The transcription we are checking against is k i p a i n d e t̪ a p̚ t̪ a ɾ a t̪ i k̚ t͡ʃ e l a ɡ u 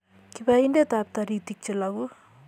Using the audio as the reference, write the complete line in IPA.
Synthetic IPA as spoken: k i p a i n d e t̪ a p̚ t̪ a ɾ i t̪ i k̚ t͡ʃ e l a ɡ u